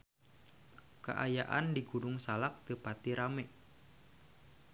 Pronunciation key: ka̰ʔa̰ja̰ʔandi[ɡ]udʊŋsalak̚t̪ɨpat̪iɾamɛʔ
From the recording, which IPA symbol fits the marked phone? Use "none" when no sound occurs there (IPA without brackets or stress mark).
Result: ɡ